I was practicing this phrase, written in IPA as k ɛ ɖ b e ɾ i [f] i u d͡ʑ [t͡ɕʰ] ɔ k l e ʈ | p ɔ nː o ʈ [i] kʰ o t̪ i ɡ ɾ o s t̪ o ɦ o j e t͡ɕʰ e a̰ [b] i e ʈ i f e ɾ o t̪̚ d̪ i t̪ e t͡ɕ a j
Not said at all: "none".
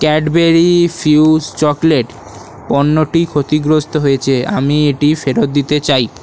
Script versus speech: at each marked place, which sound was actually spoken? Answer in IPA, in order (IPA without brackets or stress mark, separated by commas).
f, t͡ɕ, i, m